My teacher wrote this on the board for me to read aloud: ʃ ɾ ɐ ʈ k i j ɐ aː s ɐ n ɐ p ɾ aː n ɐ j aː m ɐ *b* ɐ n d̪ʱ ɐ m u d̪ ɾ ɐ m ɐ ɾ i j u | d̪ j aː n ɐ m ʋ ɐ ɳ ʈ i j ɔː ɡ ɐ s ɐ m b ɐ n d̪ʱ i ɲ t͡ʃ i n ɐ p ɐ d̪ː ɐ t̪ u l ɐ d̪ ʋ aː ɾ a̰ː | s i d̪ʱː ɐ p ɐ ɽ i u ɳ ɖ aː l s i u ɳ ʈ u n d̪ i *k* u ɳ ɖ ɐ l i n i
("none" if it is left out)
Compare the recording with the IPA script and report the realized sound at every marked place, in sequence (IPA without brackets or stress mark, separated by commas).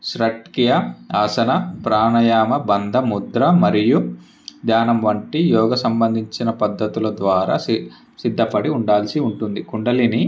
b, k